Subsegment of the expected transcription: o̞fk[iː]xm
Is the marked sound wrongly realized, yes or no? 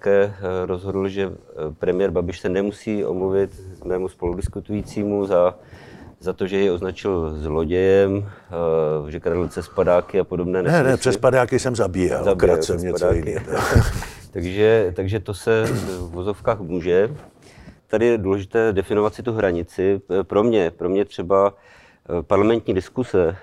yes